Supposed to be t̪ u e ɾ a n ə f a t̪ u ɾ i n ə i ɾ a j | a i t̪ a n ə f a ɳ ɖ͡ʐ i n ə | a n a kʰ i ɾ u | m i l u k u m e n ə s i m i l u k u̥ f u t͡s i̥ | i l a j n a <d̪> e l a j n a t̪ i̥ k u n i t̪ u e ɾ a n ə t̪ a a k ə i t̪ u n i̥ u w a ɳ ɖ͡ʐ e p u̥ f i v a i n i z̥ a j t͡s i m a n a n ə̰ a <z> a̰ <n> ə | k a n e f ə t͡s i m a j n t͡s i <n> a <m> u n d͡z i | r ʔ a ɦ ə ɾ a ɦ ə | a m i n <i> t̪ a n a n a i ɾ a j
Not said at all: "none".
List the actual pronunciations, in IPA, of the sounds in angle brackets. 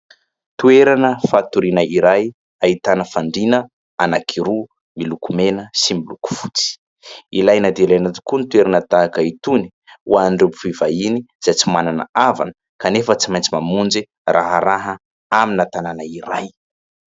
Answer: d̪, v, n, m, m, a

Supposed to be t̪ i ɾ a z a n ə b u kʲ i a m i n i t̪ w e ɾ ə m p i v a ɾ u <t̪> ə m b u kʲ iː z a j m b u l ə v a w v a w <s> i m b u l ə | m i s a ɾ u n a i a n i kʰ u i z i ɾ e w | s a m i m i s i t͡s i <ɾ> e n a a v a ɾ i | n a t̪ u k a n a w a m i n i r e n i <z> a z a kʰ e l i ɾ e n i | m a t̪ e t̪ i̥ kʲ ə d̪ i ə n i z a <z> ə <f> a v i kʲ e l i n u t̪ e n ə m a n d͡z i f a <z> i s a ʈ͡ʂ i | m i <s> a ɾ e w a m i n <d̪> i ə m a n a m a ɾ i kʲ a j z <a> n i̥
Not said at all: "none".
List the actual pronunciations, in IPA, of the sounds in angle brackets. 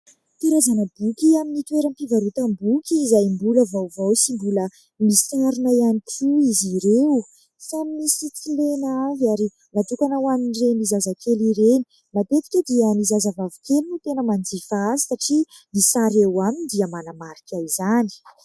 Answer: t̪, s, l, z, z, v, z, s, d̪, a

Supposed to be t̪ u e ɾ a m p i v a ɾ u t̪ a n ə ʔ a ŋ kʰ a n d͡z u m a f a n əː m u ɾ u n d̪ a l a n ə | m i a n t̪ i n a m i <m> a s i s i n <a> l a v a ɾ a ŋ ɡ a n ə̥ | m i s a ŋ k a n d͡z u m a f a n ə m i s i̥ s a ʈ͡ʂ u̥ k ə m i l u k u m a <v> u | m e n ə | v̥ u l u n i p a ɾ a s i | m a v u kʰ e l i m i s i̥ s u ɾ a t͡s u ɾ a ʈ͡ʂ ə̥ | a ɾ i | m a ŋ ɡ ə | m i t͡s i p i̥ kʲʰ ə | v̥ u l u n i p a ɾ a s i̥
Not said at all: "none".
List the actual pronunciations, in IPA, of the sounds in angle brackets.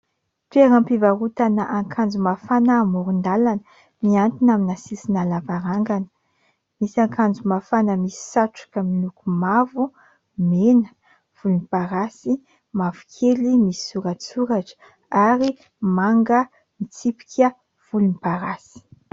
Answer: n, a, v

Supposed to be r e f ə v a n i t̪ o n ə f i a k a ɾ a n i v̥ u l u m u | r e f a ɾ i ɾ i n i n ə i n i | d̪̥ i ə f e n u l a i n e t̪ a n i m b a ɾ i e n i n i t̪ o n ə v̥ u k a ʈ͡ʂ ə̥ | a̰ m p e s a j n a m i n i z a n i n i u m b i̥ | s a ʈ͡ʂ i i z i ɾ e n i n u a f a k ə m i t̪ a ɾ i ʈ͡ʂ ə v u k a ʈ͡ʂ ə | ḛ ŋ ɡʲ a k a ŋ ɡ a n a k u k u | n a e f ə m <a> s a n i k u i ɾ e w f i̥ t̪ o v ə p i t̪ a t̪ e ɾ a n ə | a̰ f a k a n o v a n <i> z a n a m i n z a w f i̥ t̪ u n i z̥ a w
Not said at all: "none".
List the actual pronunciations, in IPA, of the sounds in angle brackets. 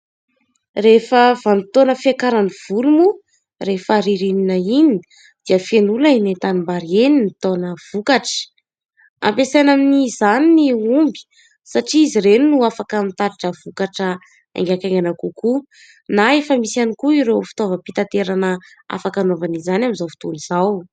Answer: i, i

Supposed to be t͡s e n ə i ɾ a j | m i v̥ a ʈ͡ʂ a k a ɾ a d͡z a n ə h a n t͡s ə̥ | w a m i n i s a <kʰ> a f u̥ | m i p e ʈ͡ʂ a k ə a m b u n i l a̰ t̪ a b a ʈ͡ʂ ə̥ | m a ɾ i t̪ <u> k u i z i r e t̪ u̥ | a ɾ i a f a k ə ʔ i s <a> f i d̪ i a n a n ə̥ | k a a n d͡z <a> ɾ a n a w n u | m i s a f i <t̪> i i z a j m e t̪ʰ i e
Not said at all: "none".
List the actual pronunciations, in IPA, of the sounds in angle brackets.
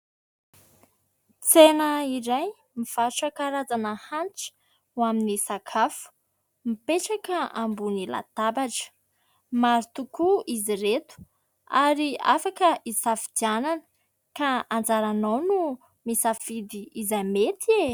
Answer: kʰ, u, a, a, d̪

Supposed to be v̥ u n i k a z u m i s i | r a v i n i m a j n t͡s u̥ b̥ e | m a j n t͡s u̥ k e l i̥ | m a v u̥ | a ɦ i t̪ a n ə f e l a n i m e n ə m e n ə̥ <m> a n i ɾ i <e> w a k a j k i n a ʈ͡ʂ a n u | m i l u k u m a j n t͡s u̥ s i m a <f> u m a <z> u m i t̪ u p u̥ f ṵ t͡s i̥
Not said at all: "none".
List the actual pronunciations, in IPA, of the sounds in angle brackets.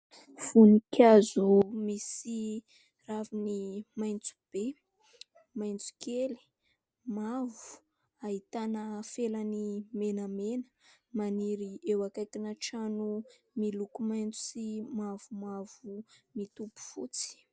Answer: m, e, v, v

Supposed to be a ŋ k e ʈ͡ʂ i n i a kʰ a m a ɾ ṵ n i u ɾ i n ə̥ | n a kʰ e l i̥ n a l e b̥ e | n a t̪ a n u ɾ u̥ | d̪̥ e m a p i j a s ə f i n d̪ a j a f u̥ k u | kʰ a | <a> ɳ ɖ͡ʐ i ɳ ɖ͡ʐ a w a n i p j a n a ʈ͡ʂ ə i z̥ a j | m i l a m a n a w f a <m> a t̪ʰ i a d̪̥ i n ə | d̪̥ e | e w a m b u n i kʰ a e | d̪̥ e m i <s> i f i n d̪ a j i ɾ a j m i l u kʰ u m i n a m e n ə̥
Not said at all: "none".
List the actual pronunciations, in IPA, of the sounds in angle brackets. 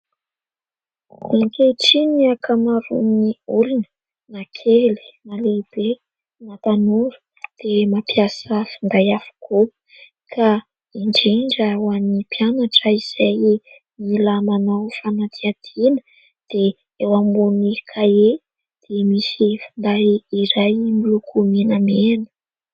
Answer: i, n, s

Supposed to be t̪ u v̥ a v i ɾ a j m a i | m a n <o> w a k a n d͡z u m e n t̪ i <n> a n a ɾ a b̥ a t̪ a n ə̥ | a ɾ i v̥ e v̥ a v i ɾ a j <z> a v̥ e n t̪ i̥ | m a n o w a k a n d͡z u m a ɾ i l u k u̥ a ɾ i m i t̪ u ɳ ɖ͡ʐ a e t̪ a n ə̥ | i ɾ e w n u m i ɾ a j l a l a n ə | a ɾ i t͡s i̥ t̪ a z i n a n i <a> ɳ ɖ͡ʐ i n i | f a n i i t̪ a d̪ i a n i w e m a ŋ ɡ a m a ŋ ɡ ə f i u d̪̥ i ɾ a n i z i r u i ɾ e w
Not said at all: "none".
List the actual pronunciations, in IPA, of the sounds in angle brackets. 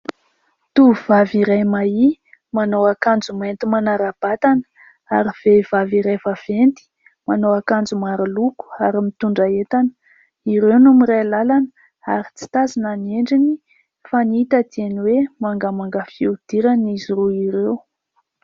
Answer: o, m, v, e

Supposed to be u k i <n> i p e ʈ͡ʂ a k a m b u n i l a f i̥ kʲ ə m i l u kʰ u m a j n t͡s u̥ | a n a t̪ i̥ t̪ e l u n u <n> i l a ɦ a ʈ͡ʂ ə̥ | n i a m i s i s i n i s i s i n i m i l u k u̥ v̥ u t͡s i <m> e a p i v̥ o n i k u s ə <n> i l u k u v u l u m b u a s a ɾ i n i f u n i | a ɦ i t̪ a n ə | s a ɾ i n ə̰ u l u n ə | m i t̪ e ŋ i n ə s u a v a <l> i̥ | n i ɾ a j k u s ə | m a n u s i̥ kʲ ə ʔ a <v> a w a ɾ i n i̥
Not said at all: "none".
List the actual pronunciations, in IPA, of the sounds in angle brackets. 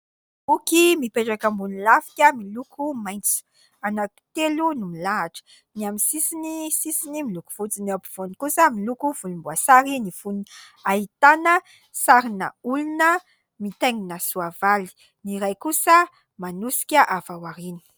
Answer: m, m, n, m, l, v

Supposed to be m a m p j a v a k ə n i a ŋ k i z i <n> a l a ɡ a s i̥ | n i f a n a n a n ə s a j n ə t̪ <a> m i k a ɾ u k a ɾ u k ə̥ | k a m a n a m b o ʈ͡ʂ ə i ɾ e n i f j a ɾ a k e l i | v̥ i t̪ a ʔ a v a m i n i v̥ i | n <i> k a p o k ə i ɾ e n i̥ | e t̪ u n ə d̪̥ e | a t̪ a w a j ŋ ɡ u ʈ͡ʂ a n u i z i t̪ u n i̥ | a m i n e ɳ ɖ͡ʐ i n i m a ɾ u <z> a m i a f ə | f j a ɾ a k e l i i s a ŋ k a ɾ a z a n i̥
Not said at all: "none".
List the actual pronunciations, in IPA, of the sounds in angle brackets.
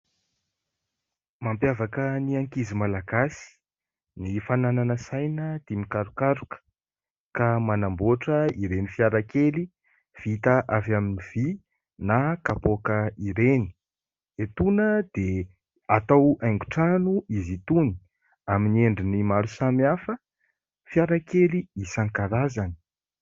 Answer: m, i, a, s

